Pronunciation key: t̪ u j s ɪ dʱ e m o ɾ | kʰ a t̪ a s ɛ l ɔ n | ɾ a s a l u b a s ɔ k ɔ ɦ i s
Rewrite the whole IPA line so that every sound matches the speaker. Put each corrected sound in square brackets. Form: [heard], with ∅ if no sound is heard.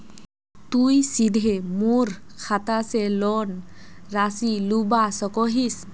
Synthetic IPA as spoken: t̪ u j s [i] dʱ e m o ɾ | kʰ a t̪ a s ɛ l ɔ n | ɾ a s [i] l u b a s ɔ k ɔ ɦ i s